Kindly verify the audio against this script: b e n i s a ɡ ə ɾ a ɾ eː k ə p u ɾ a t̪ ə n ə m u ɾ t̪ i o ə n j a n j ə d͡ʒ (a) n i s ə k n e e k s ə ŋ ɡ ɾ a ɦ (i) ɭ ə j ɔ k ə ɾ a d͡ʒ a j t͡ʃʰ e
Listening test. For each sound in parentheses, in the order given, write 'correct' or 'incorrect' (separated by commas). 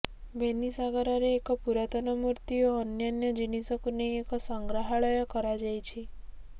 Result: incorrect, incorrect